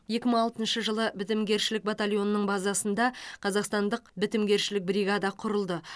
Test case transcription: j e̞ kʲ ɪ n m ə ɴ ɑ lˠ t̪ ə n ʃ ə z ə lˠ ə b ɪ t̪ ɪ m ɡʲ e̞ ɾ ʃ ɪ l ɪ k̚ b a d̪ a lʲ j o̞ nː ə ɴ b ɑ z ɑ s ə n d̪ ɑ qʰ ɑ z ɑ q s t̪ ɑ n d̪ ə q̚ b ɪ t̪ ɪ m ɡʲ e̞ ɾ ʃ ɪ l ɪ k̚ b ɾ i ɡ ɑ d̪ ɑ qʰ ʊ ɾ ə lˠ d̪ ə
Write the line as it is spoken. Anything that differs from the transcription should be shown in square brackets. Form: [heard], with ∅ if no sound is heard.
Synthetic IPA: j e̞ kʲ ɪ [∅] m ə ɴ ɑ lˠ t̪ ə n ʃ ə [ʒ] ə lˠ ə b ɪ t̪ ɪ m ɡʲ e̞ ɾ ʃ ɪ l ɪ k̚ b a [t̪] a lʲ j o̞ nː ə ɴ b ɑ z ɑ s ə n d̪ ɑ qʰ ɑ z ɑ q s t̪ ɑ n d̪ ə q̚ b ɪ t̪ ɪ m ɡʲ e̞ ɾ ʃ ɪ l ɪ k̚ b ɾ i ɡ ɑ d̪ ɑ qʰ ʊ ɾ ə lˠ d̪ ə